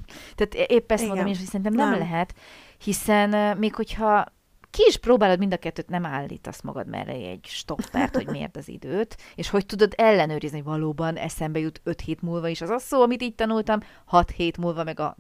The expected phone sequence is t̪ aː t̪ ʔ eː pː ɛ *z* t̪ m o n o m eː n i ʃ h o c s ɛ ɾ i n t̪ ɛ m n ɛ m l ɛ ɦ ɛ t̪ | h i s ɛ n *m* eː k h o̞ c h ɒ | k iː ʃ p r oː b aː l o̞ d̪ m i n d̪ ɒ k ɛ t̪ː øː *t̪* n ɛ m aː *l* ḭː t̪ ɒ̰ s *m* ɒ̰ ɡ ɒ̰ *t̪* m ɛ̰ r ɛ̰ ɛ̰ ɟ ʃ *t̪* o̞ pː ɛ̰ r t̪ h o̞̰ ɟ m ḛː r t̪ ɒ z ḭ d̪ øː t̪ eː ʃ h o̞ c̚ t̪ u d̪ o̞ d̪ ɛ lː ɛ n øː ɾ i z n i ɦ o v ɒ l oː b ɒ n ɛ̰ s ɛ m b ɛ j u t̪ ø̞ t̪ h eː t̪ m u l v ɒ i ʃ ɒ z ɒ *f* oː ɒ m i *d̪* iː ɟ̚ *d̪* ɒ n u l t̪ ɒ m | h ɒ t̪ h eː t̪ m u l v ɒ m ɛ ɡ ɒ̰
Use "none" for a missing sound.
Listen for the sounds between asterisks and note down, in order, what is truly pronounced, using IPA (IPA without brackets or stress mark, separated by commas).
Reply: s, m, t̪, lː, m, d̪, t̪, s, t̪, t̪